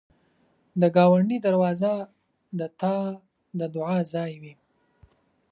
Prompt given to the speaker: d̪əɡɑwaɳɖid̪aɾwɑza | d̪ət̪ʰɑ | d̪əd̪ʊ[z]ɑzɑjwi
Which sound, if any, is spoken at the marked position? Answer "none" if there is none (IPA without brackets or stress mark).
ʕ